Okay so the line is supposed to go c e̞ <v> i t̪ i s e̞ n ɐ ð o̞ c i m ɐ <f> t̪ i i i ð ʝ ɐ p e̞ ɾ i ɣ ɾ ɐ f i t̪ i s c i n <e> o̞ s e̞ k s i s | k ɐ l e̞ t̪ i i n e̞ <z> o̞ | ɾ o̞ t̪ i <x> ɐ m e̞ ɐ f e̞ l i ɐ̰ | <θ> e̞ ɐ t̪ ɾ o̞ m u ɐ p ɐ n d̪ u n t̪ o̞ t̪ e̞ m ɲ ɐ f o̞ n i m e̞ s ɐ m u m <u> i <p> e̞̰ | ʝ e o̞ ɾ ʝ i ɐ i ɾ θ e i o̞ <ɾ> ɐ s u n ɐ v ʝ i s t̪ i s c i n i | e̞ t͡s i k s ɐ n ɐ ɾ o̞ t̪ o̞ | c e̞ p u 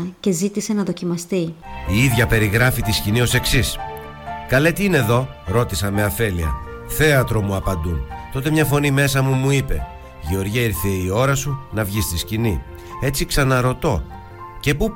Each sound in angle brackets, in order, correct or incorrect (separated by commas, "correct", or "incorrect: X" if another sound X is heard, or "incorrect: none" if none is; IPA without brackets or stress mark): incorrect: z, incorrect: s, incorrect: i, incorrect: ð, incorrect: s, correct, correct, correct, correct